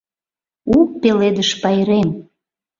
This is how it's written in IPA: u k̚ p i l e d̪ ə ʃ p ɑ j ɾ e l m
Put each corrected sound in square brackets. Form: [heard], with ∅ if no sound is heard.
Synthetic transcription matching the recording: u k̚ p [e] l e d̪ ə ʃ p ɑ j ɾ e [∅] m